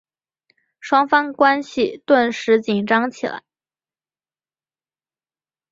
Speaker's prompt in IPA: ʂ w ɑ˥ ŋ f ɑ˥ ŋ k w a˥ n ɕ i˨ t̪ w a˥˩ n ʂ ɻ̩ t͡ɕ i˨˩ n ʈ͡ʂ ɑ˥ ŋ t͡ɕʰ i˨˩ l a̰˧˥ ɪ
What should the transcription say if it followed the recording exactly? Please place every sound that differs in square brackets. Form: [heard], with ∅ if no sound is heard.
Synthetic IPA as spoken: ʂ w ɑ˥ ŋ f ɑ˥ ŋ k w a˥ n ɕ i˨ t̪ w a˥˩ n ʂ ɻ̩ t͡ɕ i˨˩ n ʈ͡ʂ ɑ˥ ŋ t͡ɕʰ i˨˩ l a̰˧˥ ɪ